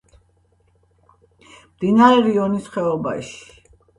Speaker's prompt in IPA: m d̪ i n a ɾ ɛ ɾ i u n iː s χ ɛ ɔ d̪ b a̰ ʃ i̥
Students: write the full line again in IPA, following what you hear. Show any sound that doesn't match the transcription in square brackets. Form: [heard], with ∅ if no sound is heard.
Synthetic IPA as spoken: m d̪ i n a ɾ ɛ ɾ i [ɔ] n [i] s χ ɛ ɔ [∅] b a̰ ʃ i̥